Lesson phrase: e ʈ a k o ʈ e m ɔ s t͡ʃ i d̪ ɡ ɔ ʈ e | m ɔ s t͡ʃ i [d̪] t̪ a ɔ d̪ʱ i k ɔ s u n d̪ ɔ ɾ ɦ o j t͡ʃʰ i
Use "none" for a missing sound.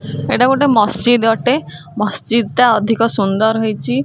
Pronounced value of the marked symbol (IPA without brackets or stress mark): d̪